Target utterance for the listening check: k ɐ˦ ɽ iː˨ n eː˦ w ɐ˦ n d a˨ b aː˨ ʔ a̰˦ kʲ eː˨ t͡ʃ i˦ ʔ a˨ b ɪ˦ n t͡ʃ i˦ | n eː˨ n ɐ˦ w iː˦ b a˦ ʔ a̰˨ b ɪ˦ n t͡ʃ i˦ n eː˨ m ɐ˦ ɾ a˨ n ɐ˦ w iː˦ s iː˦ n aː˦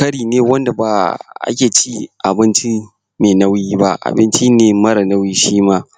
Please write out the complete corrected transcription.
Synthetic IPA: k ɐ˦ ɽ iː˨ n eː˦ w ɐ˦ n d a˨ b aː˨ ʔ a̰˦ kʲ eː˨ t͡ʃ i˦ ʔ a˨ b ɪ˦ n t͡ʃ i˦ | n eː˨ n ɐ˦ w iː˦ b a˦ ʔ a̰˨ b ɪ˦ n t͡ʃ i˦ n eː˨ m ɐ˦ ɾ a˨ n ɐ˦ w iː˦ ʃ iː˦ m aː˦

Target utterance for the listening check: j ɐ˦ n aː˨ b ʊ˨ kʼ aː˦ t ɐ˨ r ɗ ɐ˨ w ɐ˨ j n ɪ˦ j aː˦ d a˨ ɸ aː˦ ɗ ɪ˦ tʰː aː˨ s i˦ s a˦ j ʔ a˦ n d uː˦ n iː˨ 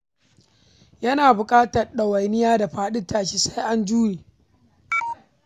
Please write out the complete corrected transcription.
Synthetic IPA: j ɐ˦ n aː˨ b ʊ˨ kʼ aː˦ t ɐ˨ r ɗ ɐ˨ w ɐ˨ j n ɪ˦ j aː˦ d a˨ ɸ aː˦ ɗ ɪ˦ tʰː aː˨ ʃ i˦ s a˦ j ʔ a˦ n d͡ʒ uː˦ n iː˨

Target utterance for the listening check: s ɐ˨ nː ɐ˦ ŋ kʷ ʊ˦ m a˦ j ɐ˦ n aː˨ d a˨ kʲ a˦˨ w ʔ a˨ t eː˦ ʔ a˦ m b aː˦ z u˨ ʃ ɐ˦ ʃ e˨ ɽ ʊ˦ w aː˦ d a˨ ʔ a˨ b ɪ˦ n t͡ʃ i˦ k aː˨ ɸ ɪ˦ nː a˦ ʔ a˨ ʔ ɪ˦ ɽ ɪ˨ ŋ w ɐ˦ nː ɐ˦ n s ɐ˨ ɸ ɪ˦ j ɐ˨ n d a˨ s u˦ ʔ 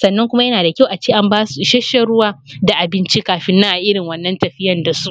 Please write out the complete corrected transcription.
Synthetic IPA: s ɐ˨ nː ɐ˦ ŋ kʷ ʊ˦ m a˦ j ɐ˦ n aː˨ d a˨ kʲ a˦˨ w ʔ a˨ t͡ʃ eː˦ ʔ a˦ m b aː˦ s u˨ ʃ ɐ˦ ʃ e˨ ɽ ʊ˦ w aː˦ d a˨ ʔ a˨ b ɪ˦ n t͡ʃ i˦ k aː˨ ɸ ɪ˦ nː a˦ ʔ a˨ ʔ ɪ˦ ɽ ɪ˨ ŋ w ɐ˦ nː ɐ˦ n t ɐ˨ ɸ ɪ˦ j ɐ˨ n d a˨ s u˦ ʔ

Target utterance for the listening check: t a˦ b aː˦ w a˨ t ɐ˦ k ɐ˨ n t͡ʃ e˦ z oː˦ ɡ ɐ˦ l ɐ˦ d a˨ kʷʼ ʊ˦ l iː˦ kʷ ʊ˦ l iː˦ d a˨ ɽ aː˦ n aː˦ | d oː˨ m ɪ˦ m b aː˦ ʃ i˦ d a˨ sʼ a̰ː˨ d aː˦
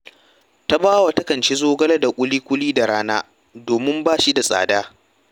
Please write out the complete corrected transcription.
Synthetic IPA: t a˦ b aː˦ w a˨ t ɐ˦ k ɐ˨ n t͡ʃ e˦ z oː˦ ɡ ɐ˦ l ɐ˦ d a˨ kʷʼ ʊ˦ l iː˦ kʷ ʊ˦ l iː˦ d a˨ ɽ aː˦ n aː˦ | d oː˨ m ɪ˦ m b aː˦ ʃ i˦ d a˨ sʼ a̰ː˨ d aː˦

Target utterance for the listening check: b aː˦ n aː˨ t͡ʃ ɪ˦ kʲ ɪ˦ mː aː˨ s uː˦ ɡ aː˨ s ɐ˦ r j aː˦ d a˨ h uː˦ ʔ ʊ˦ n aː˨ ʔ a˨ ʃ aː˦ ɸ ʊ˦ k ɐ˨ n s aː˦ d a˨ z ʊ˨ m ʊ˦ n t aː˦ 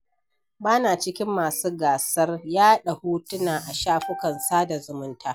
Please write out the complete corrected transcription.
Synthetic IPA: b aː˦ n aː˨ t͡ʃ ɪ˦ kʲ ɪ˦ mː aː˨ s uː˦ ɡ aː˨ s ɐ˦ r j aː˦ ɗ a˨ h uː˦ t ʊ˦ n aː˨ ʔ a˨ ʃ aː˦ ɸ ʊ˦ k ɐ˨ n s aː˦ d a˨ z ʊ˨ m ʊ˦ n t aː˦

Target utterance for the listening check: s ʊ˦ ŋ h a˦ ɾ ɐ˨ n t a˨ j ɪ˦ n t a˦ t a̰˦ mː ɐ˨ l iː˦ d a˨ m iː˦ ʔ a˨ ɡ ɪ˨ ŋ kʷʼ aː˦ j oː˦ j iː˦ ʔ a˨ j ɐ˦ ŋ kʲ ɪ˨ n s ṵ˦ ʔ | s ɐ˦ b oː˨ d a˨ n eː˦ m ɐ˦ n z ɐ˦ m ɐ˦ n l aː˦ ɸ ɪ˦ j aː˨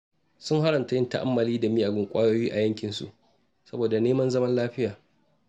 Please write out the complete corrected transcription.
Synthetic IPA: s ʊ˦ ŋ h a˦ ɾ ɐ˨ n t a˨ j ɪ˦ n t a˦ ʔ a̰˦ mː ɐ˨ l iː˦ d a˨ m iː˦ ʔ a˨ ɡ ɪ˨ ŋ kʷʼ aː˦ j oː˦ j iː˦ ʔ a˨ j ɐ˦ ŋ kʲ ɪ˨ n s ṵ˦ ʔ | s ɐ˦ b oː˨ d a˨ n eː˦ m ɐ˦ n z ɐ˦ m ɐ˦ n l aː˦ ɸ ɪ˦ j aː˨

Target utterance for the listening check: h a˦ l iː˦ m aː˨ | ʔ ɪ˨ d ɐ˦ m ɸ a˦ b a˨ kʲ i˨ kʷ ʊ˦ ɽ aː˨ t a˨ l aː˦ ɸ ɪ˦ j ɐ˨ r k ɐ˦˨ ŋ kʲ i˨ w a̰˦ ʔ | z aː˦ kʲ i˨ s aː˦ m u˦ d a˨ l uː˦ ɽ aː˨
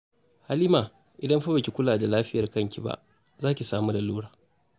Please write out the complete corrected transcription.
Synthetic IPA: h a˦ l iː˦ m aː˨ | ʔ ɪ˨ d ɐ˦ m ɸ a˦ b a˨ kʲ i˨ kʷ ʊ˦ l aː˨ d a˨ l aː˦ ɸ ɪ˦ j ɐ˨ r k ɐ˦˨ ŋ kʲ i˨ b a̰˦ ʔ | z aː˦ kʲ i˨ s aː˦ m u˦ d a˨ l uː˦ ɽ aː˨

